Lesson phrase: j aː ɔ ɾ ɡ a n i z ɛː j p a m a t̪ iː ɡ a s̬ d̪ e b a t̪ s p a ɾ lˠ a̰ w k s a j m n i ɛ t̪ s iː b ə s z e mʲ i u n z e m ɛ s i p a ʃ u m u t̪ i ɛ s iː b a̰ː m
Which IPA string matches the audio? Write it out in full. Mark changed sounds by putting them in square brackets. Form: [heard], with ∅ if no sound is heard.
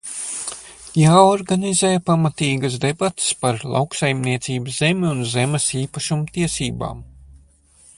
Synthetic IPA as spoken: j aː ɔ ɾ ɡ a n i z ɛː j p a m a t̪ iː ɡ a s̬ d̪ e b a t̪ s p a ɾ lˠ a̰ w k s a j m n i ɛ t̪ s iː b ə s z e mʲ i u n z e m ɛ s [iː] p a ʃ u m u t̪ i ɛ s iː b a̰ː m